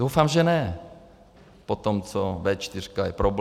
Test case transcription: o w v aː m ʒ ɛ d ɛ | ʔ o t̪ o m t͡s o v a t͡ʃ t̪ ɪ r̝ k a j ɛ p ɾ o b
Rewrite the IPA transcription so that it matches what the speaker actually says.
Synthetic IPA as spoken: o w f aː m ʒ ɛ n ɛ | p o t̪ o m t͡s o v ɛ t͡ʃ t̪ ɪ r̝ k a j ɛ p ɾ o b